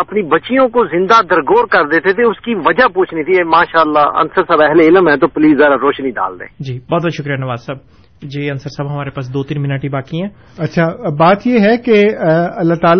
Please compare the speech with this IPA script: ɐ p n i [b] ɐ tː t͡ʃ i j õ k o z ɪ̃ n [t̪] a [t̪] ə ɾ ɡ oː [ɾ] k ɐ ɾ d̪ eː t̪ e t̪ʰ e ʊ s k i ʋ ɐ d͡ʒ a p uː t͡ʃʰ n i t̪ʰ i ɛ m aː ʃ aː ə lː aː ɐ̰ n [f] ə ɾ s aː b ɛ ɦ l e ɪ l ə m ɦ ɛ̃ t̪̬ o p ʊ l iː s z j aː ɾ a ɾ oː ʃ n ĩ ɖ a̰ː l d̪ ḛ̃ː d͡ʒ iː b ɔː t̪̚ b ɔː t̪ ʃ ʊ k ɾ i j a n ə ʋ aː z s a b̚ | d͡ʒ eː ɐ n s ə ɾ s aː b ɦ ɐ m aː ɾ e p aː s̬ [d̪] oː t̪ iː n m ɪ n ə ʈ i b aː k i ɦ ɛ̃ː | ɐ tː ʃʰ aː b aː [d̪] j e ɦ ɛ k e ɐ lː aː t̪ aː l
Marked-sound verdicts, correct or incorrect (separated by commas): correct, incorrect, incorrect, correct, incorrect, correct, incorrect